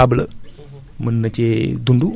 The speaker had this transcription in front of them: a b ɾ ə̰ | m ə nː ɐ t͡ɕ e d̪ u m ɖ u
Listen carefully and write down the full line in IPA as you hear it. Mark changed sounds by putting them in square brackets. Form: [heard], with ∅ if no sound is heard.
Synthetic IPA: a b [l] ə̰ | m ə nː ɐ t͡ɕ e d̪ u [ɳ] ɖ u